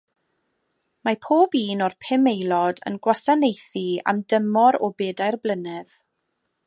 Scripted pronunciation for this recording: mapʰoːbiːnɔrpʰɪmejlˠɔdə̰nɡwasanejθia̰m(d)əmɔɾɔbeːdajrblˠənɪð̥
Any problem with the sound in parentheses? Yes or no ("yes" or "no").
no